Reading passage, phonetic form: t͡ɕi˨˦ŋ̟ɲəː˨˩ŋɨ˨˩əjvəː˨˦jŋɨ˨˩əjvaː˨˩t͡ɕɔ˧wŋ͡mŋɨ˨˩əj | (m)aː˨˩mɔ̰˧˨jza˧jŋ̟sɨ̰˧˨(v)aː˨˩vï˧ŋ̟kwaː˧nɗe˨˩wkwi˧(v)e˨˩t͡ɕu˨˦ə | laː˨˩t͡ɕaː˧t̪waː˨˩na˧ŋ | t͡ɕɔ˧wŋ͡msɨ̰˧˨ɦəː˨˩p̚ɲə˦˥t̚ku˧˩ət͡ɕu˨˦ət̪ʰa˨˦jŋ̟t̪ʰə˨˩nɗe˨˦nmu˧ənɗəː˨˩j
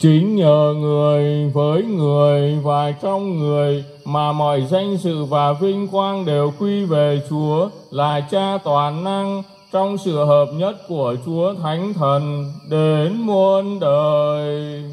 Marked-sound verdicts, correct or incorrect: correct, correct, correct

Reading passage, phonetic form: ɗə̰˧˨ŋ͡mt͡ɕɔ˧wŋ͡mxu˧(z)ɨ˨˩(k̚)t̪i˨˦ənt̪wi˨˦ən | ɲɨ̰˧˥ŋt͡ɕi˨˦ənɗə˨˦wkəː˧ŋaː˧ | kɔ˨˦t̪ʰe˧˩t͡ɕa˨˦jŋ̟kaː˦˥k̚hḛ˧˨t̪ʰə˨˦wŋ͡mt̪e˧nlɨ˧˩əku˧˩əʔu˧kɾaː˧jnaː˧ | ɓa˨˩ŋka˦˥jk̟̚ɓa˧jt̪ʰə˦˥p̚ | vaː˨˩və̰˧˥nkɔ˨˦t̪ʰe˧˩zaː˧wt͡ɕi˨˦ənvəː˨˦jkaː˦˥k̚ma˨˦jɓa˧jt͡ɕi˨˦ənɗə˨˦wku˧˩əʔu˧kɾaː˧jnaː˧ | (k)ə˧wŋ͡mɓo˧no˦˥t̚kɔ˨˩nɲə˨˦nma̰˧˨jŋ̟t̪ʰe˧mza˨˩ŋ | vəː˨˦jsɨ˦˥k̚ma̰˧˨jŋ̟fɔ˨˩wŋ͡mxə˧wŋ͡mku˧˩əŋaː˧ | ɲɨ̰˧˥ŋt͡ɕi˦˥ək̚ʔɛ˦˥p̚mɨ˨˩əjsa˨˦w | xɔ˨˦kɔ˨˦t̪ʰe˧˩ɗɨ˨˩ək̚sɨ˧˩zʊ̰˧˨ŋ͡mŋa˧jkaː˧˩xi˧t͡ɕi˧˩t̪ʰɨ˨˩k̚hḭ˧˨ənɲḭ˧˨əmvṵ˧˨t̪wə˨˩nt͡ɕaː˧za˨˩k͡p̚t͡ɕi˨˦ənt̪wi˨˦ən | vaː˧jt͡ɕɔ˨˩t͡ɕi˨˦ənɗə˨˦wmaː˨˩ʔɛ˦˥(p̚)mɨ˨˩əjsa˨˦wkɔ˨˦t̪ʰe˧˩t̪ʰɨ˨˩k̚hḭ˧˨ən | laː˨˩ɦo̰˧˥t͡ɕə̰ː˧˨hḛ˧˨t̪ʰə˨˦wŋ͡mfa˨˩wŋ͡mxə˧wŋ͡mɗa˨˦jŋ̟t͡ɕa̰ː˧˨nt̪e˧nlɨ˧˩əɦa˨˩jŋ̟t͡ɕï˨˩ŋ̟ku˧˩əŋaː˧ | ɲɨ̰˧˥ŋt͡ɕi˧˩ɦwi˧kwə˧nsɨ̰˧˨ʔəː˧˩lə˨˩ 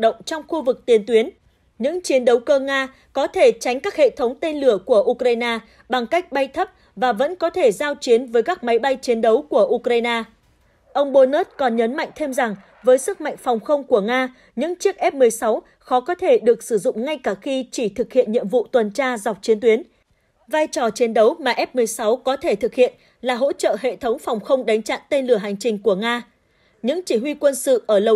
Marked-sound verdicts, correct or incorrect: incorrect: v, correct, incorrect: ʔ, correct

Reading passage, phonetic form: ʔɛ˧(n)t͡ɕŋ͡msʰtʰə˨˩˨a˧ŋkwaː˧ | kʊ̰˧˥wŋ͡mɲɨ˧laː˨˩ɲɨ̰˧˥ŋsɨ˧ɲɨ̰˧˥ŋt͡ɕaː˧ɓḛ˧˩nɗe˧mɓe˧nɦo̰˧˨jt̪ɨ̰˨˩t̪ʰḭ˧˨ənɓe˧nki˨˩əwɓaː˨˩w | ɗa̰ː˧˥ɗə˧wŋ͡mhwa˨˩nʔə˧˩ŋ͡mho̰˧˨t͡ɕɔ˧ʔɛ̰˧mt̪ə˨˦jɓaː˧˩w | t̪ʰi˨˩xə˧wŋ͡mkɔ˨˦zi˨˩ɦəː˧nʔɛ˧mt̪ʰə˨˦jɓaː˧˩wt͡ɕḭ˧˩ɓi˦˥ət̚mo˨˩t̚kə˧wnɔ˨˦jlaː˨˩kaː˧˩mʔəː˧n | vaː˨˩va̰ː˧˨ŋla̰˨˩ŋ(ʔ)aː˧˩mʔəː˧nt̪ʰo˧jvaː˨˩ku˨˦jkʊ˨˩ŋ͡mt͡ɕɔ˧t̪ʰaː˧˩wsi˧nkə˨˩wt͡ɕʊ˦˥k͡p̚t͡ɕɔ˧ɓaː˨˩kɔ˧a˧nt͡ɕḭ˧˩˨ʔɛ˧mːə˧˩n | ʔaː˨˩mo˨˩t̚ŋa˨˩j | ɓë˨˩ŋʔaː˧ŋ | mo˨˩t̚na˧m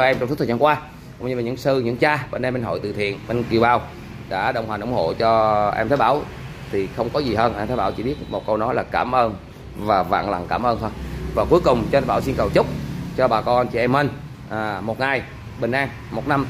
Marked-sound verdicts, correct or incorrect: incorrect: m, incorrect: k

